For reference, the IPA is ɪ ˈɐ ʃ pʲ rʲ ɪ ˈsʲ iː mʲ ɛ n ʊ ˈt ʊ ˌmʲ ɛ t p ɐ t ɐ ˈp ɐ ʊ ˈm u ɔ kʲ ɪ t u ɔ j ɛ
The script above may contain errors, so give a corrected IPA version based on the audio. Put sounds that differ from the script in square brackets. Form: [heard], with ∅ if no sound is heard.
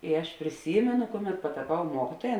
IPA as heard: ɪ ˈɐ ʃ pʲ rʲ ɪ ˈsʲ iː mʲ ɛ n ʊ [ˈk] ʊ ˌmʲ ɛ t p ɐ t ɐ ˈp ɐ ʊ ˈm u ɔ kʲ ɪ t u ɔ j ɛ